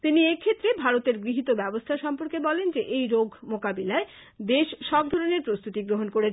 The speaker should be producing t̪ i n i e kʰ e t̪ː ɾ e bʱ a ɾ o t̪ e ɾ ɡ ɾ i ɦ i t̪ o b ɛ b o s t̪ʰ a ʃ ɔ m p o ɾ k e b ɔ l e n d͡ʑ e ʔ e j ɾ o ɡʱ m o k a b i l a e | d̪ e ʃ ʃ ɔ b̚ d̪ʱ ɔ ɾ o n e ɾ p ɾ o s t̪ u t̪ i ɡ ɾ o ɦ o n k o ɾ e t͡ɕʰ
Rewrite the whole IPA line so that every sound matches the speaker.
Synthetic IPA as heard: t̪ i n i e kʰ e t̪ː ɾ e bʱ a ɾ o t̪ e ɾ ɡ ɾ i ɦ i t̪ o b ɛ b o s t̪ʰ a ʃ ɔ m p o ɾ k e b ɔ l e n d͡ʑ e ʔ e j ɾ o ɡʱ m o k a b i l a e | d̪ e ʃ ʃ ɔ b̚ d̪ʱ ɔ ɾ o n e ɾ p ɾ o s t̪ u t̪ i ɡ ɾ o ɦ o n k o ɾ e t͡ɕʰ